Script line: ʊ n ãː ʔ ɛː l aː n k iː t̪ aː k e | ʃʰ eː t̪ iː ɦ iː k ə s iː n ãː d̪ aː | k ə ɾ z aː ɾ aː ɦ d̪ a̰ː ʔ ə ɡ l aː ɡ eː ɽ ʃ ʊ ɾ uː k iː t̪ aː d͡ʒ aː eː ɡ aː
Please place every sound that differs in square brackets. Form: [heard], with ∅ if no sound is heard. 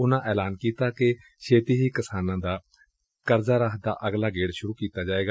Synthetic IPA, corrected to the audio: ʊ n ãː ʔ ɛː l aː n k iː t̪ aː k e | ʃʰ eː t̪ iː ɦ iː k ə s [aː] n ãː d̪ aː | k ə ɾ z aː ɾ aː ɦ d̪ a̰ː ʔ ə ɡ l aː ɡ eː ɽ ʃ ʊ ɾ uː k iː t̪ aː d͡ʒ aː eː ɡ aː